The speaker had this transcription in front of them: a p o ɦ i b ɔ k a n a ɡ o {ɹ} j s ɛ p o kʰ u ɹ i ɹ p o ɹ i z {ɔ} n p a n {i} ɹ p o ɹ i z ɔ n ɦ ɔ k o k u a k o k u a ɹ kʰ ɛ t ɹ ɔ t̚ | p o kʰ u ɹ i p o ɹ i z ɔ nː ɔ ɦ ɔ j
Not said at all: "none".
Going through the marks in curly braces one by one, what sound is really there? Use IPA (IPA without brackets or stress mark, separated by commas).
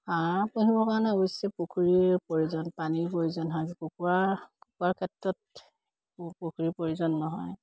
none, ɔ, i